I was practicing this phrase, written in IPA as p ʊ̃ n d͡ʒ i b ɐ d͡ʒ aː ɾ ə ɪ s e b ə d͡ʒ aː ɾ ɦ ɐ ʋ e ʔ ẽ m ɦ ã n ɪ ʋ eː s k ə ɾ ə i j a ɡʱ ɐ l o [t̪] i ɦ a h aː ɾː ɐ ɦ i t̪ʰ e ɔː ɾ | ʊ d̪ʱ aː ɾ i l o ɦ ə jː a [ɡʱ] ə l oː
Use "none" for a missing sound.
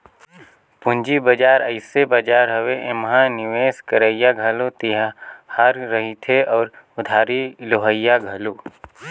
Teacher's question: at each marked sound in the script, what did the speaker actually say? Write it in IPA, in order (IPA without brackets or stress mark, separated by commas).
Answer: t̪, ɡʱ